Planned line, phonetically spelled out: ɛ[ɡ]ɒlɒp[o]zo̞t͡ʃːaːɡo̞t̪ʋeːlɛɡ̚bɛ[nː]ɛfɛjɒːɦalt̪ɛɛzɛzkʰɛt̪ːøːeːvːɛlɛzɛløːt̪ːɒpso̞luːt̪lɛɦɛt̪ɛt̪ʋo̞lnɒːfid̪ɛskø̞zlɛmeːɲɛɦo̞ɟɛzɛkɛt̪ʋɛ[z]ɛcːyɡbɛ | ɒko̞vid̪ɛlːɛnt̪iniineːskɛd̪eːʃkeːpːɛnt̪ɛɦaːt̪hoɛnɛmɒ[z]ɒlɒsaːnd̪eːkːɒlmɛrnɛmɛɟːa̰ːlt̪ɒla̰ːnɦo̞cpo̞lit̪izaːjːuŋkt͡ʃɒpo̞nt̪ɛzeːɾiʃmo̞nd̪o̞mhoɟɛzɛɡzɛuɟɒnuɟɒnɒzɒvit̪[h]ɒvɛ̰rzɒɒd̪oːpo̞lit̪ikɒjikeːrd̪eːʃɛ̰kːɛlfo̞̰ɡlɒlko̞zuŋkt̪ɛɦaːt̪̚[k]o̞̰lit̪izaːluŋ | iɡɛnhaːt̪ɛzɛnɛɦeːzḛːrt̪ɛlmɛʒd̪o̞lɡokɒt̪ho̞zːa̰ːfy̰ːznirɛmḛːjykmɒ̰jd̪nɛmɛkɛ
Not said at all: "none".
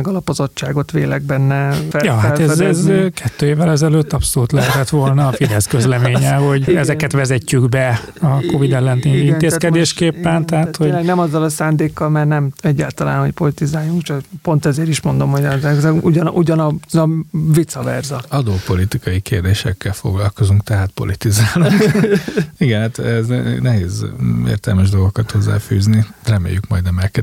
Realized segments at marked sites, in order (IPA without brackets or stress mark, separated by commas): ɡ, o, nː, z, zː, s, p